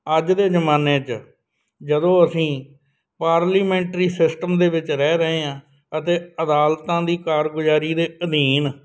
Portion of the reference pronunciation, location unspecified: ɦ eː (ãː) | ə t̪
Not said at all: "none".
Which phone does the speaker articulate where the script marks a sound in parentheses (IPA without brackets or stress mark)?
ãː